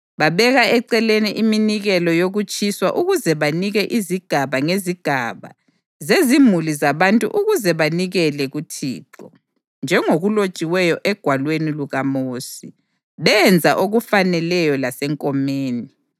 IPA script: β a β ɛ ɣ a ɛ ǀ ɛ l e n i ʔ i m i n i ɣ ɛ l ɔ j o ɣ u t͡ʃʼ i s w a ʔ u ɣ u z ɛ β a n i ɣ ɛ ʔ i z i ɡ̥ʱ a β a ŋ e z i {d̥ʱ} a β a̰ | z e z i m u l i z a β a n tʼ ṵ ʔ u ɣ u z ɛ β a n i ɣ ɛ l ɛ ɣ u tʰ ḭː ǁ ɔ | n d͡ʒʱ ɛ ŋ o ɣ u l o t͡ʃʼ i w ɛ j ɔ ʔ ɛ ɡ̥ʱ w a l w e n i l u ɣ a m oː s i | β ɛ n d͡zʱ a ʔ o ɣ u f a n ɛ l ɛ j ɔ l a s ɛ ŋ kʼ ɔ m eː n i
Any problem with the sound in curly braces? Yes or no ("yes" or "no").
yes